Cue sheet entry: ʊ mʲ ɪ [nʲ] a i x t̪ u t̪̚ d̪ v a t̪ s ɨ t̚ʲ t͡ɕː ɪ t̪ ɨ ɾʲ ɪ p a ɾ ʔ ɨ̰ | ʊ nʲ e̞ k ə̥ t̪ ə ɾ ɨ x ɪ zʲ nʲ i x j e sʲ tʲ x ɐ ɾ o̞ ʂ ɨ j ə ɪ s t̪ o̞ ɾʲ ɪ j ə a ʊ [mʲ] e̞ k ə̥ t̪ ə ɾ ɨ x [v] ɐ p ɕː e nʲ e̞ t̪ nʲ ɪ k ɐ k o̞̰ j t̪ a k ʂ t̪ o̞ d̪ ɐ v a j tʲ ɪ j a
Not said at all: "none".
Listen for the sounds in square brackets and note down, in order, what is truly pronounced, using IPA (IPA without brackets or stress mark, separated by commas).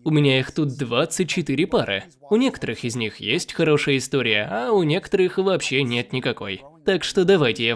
nʲ, nʲ, v